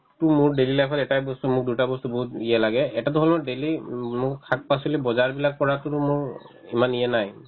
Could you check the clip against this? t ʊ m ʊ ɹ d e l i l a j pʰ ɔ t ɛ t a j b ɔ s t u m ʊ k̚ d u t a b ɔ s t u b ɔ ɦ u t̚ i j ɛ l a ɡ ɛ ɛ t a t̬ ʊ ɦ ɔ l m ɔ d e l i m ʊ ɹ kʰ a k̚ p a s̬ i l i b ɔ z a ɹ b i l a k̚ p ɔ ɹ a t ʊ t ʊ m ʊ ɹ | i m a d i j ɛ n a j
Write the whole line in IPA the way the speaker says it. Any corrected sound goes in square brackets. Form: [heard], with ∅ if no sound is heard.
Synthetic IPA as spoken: t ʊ m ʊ ɹ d e l i l a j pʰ ɔ t ɛ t a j b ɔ s t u m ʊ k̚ d u t a b ɔ s t u b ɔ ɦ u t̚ i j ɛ l a ɡ ɛ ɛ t a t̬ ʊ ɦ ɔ l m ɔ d e l i m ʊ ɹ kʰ a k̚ p a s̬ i l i b ɔ z a ɹ b i l a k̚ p ɔ ɹ a t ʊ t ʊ m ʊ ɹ | i m a [n] i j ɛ n a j